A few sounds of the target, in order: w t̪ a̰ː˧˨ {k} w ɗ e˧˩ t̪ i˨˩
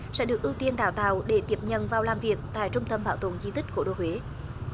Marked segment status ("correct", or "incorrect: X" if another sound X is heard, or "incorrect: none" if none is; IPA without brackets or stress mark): incorrect: none